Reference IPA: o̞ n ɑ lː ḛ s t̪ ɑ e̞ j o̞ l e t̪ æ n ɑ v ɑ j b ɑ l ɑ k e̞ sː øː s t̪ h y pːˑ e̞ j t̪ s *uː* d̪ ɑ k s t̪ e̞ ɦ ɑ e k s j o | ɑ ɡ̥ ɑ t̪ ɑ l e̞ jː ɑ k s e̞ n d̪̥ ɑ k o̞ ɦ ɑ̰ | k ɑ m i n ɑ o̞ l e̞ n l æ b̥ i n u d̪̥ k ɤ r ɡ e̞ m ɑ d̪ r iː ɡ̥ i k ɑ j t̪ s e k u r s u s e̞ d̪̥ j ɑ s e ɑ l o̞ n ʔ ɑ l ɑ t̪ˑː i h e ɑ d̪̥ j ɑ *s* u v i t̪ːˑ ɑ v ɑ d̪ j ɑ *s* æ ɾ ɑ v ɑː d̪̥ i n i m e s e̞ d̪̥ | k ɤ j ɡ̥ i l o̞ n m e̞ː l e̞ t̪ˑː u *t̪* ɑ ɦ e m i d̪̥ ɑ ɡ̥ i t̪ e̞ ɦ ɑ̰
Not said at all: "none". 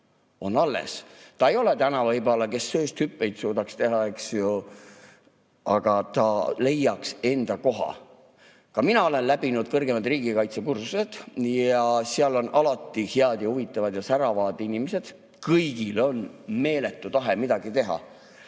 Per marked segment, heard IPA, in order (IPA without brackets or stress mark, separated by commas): uː, h, s, t̪